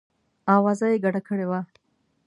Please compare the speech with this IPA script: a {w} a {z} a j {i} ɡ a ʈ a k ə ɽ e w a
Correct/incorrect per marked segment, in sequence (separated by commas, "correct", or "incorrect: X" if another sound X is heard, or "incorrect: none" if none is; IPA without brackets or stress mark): correct, correct, incorrect: e